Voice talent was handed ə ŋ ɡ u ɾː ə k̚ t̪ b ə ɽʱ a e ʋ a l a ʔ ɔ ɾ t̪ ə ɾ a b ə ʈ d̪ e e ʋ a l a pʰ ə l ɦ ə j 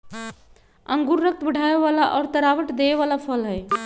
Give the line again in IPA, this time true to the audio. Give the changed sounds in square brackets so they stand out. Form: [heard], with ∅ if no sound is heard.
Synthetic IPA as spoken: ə ŋ ɡ u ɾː ə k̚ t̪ b ə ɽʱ a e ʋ a l a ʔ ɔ ɾ t̪ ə ɾ a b ə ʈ d̪ e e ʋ a l a pʰ ə l ɦ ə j